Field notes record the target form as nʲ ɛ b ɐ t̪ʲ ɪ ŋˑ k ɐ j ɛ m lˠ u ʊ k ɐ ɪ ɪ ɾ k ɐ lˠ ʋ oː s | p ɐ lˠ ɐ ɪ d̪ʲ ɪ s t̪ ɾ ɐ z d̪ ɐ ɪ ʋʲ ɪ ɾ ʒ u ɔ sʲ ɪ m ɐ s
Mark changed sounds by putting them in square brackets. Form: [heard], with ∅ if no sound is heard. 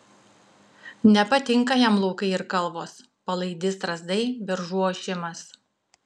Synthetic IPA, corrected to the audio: nʲ ɛ [p] ɐ t̪ʲ ɪ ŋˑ k ɐ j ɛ m lˠ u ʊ k ɐ ɪ ɪ ɾ k ɐ lˠ ʋ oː s | p ɐ lˠ ɐ ɪ d̪ʲ ɪ s t̪ ɾ ɐ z d̪ ɐ ɪ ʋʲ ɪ ɾ ʒ u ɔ [ʃʲ] ɪ m ɐ s